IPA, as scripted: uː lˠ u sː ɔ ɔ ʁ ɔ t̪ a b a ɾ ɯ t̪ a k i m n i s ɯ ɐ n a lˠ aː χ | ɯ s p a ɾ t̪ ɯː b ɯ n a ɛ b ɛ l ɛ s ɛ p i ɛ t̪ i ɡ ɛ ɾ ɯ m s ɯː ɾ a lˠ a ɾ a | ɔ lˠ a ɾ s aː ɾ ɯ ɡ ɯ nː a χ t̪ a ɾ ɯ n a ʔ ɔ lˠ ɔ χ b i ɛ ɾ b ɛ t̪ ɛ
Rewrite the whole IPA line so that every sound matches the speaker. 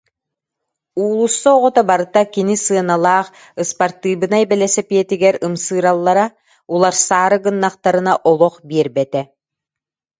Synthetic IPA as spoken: uː lˠ u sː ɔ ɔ ʁ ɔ t̪ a b a ɾ ɯ t̪ a k i n i s ɯ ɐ n a lˠ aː χ | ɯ s p a ɾ t̪ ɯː b ɯ n a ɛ b ɛ l ɛ s ɛ p i ɛ t̪ i ɡ ɛ ɾ ɯ m s ɯː ɾ a lˠː a ɾ a | u lˠ a ɾ s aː ɾ ɯ ɡ ɯ nː a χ t̪ a ɾ ɯ n a ʔ ɔ lˠ ɔ χ b i ɛ ɾ b ɛ t̪ ɛ